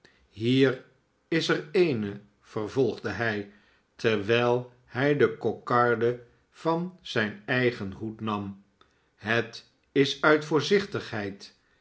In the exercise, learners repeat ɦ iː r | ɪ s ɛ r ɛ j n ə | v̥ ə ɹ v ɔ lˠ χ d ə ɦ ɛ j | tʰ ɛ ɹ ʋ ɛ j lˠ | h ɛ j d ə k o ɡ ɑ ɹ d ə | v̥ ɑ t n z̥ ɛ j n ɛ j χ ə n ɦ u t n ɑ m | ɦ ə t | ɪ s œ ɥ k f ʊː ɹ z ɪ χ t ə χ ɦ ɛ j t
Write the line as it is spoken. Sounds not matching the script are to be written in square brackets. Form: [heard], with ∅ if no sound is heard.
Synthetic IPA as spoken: ɦ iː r | ɪ s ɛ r [e] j n ə | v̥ ə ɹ v ɔ lˠ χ d ə ɦ ɛ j | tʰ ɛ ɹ ʋ ɛ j lˠ | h ɛ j d ə k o [k] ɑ ɹ d ə | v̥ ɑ [∅] n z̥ ɛ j n ɛ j χ ə n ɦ u t n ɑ m | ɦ ə t | ɪ s œ ɥ [t] f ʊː ɹ z ɪ χ t ə χ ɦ ɛ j t